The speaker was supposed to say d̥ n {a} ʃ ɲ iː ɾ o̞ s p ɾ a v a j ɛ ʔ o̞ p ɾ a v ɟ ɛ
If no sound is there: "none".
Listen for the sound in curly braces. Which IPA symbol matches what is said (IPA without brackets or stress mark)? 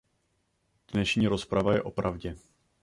ɛ